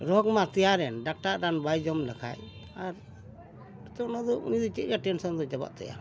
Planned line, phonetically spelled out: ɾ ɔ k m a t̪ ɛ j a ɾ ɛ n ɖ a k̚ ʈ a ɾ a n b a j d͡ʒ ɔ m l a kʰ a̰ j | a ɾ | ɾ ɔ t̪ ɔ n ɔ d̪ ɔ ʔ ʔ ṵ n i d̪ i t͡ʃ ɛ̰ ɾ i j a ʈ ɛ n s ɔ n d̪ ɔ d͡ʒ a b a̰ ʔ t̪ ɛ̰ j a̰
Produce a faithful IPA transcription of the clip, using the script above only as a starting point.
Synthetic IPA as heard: ɾ ɔ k m a t̪ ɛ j a ɾ ɛ n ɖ a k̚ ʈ a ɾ a n b a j d͡ʒ ɔ m l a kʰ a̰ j | a ɾ | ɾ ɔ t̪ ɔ n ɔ d̪ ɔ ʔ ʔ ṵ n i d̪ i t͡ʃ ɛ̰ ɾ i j a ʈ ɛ n s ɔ n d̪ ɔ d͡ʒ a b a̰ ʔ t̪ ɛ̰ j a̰